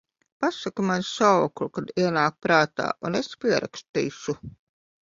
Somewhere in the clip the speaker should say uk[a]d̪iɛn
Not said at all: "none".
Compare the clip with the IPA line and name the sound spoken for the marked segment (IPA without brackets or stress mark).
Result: a